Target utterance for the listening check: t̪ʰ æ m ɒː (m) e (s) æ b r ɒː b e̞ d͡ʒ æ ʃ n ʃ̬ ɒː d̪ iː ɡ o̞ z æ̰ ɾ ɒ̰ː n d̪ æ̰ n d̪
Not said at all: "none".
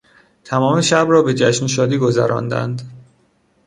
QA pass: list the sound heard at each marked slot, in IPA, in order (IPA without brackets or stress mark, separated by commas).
m, ʃ